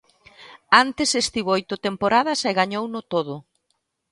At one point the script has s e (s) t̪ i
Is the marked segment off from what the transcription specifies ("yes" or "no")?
no